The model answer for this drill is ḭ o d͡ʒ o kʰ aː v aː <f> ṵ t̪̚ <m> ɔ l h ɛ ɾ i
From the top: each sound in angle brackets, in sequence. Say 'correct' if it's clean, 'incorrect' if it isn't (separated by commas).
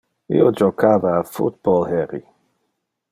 correct, incorrect